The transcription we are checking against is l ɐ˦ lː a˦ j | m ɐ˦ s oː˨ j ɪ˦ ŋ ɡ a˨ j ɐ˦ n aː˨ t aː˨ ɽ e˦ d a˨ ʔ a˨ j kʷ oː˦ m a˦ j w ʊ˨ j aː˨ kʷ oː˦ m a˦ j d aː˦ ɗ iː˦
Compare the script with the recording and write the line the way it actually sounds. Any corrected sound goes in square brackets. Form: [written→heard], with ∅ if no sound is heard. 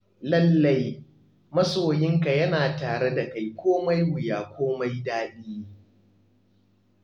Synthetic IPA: l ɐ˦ lː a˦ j | m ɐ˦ s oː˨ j ɪ˦ ŋ [ɡ→k] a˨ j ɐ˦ n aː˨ t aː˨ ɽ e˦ d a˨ [ʔ→k] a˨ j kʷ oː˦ m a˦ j w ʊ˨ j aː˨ kʷ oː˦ m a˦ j d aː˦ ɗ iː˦